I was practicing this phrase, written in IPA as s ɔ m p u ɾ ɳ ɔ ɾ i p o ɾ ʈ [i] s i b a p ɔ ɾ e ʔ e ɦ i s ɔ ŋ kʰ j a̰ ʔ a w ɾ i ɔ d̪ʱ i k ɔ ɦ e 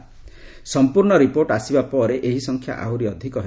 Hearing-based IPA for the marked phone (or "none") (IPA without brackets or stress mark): a